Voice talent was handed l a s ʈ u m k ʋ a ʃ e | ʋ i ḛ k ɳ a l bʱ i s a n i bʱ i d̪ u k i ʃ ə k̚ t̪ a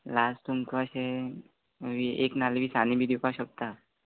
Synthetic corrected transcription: l a s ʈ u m k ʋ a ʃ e | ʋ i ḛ k n a l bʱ i s a n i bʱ i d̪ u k a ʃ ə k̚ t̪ a